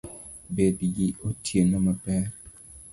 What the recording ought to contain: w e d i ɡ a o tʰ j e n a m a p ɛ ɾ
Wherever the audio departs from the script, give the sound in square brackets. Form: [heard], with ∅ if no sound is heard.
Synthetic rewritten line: [b] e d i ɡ [i] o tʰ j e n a m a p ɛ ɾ